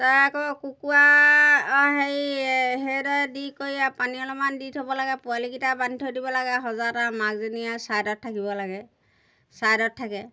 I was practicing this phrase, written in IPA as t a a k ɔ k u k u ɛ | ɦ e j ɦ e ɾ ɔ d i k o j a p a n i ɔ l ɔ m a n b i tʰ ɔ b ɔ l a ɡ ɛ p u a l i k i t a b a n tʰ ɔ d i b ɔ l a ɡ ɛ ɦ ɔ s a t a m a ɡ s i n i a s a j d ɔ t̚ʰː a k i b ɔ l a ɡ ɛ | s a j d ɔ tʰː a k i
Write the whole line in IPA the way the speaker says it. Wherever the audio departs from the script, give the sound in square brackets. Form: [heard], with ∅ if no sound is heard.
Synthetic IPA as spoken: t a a k ɔ k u k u [a] | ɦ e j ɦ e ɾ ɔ d i k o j a p a n i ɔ l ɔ m a n [d] i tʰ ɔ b ɔ l a ɡ ɛ p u a l i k i t a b a n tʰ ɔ d i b ɔ l a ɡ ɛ ɦ ɔ [z] a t a m a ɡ [z] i n i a s a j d ɔ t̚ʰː a k i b ɔ l a ɡ ɛ | s a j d ɔ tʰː a k [ɛ]